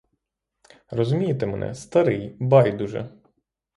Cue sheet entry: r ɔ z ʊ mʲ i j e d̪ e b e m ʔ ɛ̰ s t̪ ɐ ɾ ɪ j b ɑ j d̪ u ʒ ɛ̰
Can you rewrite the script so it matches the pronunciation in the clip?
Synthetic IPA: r ɔ z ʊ mʲ i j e t̪ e m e n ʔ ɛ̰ s t̪ ɐ ɾ ɪ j b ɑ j d̪ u ʒ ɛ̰